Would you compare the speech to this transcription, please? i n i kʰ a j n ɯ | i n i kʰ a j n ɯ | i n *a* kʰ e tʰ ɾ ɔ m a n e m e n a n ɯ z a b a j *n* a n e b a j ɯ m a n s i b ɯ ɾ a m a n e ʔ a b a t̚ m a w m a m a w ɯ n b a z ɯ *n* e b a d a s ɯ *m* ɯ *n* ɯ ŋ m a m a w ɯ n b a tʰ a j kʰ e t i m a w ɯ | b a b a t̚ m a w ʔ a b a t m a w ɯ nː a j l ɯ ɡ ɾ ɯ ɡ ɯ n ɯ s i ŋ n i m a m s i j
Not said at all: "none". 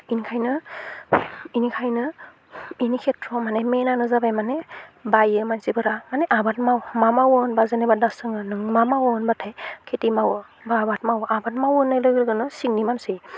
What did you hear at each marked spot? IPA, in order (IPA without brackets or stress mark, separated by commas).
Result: i, m, n, ŋ, n